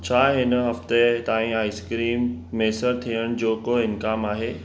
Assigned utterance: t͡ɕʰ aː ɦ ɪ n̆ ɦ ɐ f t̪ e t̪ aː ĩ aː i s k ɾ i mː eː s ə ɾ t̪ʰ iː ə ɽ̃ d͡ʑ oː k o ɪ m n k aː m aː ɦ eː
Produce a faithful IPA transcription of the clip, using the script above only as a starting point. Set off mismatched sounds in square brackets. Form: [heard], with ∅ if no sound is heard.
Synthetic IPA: t͡ɕʰ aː ɦ ɪ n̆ ɦ ɐ f t̪ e t̪ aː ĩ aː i s k ɾ [iː] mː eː s ə ɾ t̪ʰ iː ə ɽ̃ d͡ʑ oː k o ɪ [∅] n k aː m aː ɦ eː

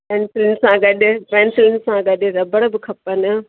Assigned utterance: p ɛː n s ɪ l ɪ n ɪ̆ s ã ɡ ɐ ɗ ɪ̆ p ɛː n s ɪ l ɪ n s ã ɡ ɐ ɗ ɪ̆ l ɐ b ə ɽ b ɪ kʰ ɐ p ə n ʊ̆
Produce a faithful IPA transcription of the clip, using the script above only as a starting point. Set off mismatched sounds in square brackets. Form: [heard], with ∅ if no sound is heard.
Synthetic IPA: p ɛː n s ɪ l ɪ n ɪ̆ s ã ɡ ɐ ɗ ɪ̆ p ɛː n s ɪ l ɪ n s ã ɡ ɐ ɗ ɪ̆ [ɾ] ɐ b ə ɽ b ɪ kʰ ɐ p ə n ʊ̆

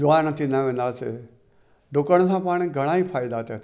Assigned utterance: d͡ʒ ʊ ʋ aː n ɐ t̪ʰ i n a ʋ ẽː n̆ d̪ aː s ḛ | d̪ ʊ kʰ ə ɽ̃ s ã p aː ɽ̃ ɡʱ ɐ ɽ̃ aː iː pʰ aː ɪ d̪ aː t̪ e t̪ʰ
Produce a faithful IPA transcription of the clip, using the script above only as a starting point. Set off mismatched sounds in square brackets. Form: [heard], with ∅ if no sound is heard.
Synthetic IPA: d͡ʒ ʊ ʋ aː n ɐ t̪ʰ i n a ʋ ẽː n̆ d̪ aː s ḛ | d̪ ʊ [k] ə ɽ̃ s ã p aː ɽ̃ ɡʱ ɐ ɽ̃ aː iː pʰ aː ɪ d̪ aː t̪ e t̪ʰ

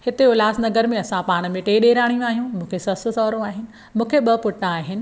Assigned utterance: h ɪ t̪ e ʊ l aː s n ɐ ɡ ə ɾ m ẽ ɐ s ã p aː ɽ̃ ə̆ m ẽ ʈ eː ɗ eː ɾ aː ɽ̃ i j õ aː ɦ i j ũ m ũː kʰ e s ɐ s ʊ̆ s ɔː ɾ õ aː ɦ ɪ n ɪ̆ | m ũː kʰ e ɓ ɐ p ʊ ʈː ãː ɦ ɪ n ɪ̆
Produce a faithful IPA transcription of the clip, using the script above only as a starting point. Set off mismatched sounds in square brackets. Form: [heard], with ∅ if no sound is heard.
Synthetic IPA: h ɪ t̪ e ʊ l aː s n ɐ ɡ ə ɾ m ẽ ɐ s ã p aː ɽ̃ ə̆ m ẽ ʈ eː ɗ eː ɾ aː ɽ̃ i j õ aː ɦ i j ũ m ũː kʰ e s ɐ s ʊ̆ s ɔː ɾ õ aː ɦ ɪ n ɪ̆ | m ũː kʰ e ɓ ɐ p ʊ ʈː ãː ɦ ɪ n ɪ̆

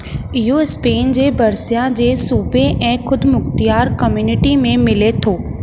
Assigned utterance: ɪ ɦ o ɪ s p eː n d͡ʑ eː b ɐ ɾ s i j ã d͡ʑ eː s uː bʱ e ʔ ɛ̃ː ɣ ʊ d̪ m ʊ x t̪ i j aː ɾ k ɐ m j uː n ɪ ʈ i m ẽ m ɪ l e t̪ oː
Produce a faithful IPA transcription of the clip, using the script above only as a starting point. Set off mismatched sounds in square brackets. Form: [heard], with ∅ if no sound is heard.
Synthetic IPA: ɪ ɦ o ɪ s p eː n d͡ʑ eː b ɐ ɾ s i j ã d͡ʑ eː s uː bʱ e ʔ ɛ̃ː [x] ʊ d̪ m ʊ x t̪ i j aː ɾ k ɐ m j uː n ɪ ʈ i m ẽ m ɪ l e [t̪ʰ] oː

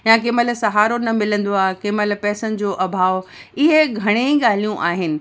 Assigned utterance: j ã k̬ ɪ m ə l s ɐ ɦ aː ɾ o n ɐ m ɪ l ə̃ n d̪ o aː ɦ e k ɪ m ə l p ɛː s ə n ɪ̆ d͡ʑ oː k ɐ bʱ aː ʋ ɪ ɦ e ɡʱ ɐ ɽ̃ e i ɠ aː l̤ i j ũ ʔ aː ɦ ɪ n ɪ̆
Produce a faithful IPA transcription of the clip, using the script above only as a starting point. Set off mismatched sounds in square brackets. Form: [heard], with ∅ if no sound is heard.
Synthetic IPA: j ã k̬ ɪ m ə l s ɐ ɦ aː ɾ o n ɐ m ɪ l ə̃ n d̪ o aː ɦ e k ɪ m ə l p ɛː s ə n ɪ̆ d͡ʑ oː [ʔ] ɐ bʱ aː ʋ ɪ ɦ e ɡʱ ɐ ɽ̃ e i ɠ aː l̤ i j ũ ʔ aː ɦ ɪ n ɪ̆

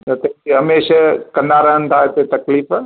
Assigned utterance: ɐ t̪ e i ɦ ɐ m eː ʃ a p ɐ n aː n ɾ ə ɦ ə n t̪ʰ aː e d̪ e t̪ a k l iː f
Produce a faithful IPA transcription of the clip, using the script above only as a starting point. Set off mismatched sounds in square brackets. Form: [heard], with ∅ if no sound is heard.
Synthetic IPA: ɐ t̪ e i ɦ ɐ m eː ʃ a [k] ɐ n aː [∅] ɾ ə ɦ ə n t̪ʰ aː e [t̪] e t̪ [ɐ] k l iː f

